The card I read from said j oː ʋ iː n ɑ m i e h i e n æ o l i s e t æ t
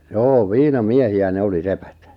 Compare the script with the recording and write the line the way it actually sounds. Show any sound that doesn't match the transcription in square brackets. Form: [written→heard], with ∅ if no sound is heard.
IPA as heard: j oː ʋ iː n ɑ m i e h i [e→æ] n [æ→e] o l i s e [t→p] æ t